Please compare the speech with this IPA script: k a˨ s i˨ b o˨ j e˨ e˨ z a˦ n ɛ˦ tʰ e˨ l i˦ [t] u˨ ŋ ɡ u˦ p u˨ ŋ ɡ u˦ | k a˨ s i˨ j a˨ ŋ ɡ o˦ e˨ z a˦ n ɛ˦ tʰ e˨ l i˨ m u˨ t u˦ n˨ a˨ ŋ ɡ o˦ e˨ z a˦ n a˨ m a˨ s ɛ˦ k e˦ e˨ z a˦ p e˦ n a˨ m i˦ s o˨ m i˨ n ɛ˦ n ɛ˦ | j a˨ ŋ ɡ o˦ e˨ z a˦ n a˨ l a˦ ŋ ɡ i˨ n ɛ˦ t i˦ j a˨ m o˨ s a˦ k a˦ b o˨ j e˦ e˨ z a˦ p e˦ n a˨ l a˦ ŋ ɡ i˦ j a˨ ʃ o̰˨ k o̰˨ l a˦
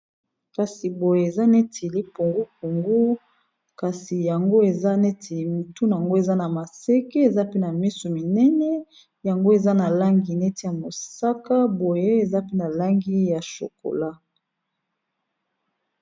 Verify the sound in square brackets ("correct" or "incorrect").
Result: incorrect